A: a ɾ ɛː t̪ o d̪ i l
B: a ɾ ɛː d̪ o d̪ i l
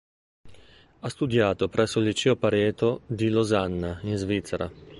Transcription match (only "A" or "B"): A